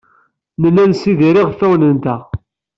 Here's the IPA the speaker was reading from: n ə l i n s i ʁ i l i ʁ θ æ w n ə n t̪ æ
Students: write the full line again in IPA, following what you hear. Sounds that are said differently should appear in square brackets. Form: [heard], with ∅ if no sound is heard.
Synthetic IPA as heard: n ə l [æ] n s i [ð] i [ɾ] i ʁ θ æ w n ə n t̪ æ